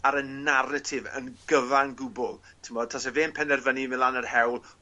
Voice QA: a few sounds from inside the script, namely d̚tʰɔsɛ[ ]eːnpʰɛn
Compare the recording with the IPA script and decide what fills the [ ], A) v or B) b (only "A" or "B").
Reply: A